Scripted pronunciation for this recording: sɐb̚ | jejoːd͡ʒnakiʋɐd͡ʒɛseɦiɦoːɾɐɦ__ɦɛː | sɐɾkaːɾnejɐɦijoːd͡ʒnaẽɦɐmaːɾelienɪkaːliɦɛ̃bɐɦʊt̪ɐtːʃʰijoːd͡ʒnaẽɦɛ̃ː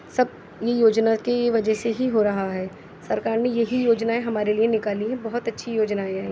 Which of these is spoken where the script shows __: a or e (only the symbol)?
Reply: a